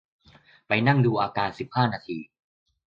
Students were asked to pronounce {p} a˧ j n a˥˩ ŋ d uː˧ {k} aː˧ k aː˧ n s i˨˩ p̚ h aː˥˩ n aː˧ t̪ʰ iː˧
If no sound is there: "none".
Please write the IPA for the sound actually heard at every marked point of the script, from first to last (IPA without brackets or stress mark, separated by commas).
p, ʔ